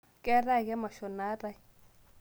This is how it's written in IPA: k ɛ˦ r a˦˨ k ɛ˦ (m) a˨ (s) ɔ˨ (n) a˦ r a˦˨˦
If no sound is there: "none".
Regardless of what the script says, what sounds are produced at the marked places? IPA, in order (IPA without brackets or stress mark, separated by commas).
m, ʃ, n